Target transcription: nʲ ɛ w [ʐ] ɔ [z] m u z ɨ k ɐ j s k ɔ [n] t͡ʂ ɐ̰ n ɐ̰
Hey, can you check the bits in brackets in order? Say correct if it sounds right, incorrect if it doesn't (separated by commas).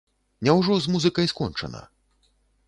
correct, correct, correct